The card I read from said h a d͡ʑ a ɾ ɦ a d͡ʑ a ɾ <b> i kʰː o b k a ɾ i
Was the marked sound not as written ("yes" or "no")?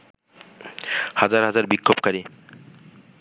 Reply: no